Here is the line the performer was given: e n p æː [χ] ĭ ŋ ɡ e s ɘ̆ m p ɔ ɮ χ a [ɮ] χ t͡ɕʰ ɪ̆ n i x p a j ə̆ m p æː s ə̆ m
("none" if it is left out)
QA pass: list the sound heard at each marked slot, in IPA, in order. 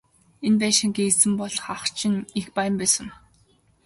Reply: ʃ, none

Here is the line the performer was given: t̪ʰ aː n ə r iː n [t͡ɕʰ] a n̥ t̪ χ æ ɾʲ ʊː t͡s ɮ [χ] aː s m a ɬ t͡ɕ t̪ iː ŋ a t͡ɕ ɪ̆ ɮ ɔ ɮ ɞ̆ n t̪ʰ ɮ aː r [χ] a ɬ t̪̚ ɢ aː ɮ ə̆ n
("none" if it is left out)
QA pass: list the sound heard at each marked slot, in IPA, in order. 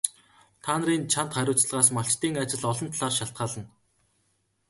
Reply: t͡ɕʰ, ʁ, ʃ

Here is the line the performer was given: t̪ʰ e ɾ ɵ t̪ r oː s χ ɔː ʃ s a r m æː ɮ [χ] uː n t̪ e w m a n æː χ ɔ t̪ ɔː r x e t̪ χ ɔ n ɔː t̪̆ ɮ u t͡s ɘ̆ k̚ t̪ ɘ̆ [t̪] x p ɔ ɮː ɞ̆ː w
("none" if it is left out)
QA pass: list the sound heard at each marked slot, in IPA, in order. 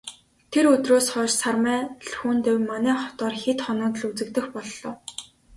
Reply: x, none

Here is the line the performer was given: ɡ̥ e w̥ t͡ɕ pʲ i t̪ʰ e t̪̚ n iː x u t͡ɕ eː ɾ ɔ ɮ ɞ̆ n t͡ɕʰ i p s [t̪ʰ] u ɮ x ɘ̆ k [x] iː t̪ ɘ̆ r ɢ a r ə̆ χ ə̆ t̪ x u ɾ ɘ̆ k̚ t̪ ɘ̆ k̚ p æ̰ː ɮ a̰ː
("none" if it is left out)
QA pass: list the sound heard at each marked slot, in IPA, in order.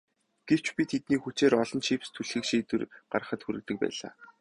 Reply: t̪ʰ, ʃ

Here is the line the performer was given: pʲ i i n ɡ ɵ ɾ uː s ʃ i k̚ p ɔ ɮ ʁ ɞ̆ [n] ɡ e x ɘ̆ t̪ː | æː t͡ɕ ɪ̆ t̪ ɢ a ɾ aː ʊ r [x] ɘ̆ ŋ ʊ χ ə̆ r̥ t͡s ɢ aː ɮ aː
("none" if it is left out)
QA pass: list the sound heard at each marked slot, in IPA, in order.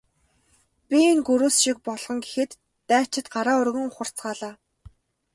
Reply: ŋ, ɣ

